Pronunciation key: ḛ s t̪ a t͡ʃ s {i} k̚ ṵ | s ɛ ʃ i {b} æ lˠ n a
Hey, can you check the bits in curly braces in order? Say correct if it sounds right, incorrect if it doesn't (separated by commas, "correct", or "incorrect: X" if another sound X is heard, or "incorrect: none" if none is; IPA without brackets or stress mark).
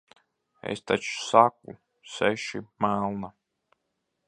incorrect: a, incorrect: m